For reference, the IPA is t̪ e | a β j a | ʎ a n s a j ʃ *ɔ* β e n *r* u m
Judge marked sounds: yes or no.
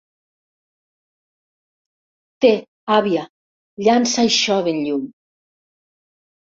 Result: yes, no

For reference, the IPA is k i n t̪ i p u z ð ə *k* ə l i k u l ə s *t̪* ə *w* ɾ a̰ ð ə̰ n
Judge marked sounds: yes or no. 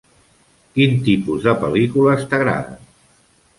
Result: no, yes, no

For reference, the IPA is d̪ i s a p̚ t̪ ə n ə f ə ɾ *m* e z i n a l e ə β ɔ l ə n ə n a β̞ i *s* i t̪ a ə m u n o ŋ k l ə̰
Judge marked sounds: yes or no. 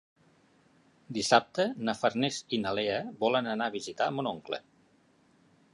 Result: no, no

